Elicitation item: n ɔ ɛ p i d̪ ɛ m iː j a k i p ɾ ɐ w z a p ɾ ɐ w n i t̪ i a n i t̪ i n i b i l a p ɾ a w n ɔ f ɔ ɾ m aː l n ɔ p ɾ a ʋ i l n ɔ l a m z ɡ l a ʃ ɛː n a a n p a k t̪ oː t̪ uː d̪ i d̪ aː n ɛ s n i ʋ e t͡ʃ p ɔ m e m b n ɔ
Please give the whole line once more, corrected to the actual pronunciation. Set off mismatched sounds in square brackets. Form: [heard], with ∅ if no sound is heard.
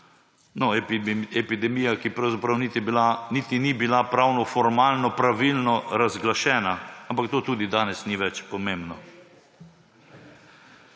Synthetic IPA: n ɔ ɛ p i d̪ ɛ m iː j a k i p ɾ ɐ w z a p ɾ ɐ w n i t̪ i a n i t̪ i n i b i l a p ɾ a w n ɔ f ɔ ɾ m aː l n ɔ p ɾ a ʋ i l n ɔ [ɾ] a [∅] z ɡ l a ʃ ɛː n a a [m] p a k t̪ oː t̪ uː d̪ i d̪ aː n ɛ s n i ʋ [ɛ] t͡ʃ p ɔ m e m b n ɔ